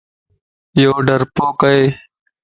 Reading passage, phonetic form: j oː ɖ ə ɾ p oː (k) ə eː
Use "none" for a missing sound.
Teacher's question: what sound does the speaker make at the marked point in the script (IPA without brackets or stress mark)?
k